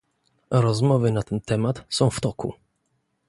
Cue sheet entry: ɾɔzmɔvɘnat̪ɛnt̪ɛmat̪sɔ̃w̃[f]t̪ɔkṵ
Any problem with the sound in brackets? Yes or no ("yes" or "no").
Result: no